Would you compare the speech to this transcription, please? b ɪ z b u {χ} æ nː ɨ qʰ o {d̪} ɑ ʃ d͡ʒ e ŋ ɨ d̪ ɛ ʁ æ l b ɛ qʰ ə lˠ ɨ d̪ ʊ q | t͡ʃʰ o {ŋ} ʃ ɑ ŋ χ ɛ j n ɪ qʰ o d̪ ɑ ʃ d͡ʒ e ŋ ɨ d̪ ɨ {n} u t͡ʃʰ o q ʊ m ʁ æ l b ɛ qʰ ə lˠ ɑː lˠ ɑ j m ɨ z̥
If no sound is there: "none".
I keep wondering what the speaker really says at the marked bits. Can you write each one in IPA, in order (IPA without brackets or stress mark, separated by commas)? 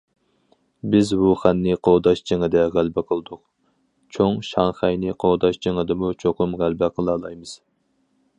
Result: χ, d̪, ŋ, m